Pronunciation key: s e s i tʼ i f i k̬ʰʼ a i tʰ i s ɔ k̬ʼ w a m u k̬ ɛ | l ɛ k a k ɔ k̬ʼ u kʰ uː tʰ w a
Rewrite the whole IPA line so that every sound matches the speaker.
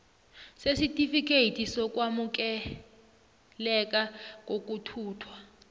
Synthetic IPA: s e s i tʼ i f i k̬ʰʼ e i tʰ i s ɔ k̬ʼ w a m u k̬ ɛ | l ɛ k a k o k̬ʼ u tʰ uː tʰ w a